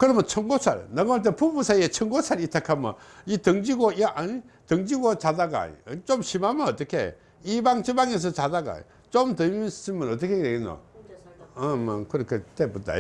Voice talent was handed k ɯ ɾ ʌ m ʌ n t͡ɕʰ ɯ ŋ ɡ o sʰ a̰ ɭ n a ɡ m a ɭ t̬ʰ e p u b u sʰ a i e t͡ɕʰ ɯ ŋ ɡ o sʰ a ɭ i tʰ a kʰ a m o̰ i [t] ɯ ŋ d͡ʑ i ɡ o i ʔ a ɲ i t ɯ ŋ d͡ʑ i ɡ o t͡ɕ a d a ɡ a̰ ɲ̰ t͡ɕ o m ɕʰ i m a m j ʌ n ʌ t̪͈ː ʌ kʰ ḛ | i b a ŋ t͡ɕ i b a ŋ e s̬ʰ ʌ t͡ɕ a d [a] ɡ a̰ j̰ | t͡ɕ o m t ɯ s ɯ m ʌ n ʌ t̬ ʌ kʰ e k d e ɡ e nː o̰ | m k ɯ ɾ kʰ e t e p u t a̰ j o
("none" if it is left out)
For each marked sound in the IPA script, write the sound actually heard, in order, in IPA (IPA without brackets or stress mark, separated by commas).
t, a